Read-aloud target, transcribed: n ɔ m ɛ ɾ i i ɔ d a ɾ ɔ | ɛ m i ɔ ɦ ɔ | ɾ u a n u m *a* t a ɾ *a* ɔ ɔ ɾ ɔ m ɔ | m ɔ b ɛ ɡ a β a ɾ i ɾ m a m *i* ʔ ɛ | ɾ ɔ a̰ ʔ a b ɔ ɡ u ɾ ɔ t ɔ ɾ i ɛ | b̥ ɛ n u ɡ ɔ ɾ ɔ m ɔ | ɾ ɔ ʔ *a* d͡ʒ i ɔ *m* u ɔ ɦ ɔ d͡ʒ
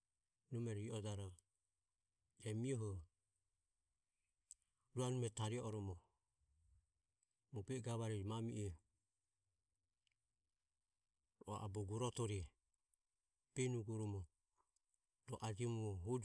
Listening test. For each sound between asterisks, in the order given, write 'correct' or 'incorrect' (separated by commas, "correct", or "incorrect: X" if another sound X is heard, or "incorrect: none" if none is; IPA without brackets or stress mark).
incorrect: ɛ, incorrect: i, correct, correct, correct